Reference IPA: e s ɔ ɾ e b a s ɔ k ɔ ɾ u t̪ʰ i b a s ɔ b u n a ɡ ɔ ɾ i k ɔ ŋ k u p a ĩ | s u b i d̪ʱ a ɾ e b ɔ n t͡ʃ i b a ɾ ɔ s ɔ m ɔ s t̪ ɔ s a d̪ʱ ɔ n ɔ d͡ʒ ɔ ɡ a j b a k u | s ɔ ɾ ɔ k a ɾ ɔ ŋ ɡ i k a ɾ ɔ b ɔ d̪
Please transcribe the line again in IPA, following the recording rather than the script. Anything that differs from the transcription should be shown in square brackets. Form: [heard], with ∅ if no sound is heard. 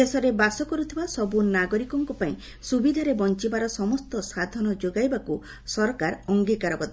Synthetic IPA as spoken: e s ɔ ɾ e b a s ɔ k ɔ ɾ u t̪ʰ i b a s ɔ b u n a ɡ ɔ ɾ i k ɔ ŋ k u p a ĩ | s u b i d̪ʱ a ɾ e b ɔ n t͡ʃ i b a ɾ ɔ s ɔ m ɔ s t̪ ɔ s a d̪ʱ ɔ n ɔ d͡ʒ [o] ɡ a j b a k u | s ɔ ɾ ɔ k a ɾ ɔ ŋ ɡ i k a ɾ ɔ b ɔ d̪